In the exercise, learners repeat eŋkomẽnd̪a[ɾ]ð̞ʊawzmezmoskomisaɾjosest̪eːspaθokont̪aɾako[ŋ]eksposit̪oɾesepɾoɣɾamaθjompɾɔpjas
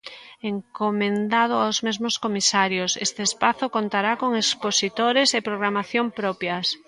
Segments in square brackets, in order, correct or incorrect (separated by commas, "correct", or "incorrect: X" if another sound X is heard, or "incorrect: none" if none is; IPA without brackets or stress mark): incorrect: none, correct